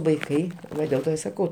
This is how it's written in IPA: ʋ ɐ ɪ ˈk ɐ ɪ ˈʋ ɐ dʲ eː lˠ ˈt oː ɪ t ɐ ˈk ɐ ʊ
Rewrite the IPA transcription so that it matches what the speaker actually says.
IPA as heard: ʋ ɐ ɪ ˈk ɐ ɪ ˈʋ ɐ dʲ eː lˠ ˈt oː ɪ s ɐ ˈk ɐ ʊ